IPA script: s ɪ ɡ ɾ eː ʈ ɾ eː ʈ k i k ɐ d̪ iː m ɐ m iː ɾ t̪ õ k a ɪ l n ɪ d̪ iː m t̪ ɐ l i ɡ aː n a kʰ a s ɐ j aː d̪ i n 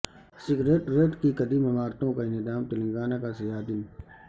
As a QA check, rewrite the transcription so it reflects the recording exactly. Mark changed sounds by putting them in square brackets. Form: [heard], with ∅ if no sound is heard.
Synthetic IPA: s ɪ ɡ ɾ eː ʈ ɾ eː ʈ k i k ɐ d̪ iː m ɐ m [aː] ɾ t̪ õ k a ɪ [∅] n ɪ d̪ [aː] m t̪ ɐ l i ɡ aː n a [k] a s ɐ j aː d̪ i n